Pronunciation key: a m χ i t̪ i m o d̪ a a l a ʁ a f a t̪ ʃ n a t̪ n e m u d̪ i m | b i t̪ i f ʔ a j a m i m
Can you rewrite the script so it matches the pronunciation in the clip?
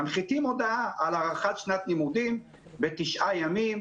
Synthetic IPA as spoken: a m χ i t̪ i m o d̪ a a l a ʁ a χ a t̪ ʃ n a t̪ n i m u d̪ i m | b e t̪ i ʃ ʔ a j a m i m